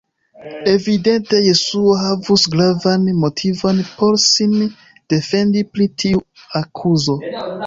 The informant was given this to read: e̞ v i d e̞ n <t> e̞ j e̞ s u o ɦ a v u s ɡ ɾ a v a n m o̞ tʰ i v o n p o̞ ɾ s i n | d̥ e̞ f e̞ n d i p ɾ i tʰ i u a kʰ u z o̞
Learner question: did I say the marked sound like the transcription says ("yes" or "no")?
yes